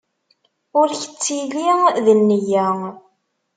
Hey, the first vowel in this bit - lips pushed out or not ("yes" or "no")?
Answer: yes